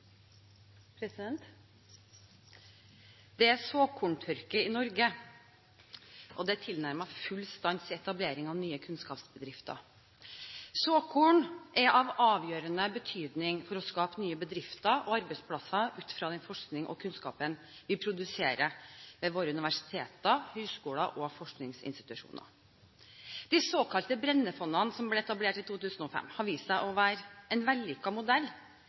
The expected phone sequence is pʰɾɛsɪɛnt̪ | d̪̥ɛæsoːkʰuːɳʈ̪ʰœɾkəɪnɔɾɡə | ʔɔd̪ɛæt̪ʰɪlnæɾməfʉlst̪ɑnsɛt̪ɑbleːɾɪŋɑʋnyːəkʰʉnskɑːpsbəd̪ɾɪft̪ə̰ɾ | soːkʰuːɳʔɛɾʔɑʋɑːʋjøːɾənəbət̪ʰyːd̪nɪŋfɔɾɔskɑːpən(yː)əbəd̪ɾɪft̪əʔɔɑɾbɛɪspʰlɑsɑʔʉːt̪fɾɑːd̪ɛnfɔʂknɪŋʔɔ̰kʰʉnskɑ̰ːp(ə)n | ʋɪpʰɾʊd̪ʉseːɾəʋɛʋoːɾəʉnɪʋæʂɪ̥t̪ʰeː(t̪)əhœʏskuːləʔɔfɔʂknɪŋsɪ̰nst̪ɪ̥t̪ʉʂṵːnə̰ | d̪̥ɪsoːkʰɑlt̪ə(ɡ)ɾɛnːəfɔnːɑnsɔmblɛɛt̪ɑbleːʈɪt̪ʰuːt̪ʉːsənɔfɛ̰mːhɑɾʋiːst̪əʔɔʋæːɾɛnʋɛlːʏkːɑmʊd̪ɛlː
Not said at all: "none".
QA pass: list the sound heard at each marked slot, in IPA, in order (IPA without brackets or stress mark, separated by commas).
yː, ə, t̪, b